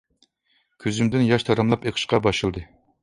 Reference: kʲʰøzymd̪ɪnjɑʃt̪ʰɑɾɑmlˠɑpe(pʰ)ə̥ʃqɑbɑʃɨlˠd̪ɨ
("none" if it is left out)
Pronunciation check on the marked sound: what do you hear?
qʰ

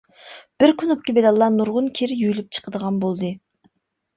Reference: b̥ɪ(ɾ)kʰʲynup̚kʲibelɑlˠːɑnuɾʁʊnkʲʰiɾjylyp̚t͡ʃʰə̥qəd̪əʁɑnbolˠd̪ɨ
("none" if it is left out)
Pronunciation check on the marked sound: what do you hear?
ɾ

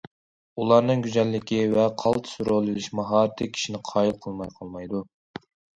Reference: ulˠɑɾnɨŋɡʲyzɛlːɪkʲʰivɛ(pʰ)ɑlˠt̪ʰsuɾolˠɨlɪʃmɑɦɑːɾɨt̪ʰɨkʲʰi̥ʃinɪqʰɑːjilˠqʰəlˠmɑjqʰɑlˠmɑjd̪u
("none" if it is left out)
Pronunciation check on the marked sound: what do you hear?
qʰ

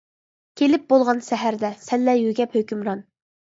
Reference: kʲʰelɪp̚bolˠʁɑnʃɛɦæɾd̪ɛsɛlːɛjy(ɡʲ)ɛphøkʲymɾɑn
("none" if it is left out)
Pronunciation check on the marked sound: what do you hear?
ɡʲ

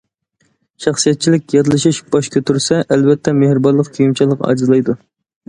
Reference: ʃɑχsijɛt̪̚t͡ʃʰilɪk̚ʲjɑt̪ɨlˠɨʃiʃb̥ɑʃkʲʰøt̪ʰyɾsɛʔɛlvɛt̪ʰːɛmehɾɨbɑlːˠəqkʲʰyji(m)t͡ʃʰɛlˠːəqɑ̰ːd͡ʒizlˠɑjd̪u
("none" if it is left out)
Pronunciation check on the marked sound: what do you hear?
m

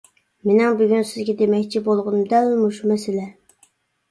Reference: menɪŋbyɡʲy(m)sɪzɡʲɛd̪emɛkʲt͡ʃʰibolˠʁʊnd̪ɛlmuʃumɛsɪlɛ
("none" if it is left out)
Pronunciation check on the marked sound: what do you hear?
n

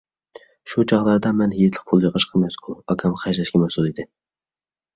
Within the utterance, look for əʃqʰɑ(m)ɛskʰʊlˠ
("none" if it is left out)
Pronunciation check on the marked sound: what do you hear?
m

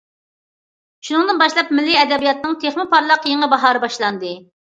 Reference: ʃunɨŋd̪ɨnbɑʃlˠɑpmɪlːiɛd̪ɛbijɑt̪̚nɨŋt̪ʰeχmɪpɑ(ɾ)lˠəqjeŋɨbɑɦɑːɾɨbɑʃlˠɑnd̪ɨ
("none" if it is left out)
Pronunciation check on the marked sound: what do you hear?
ɾ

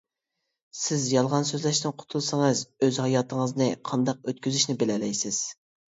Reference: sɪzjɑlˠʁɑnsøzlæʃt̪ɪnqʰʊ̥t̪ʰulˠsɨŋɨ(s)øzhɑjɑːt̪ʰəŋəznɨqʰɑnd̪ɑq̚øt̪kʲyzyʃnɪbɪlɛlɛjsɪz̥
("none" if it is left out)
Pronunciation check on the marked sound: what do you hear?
z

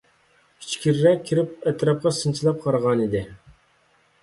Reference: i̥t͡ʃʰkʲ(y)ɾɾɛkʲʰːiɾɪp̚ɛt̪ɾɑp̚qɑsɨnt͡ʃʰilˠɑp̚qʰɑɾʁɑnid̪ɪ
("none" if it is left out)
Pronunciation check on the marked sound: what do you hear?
i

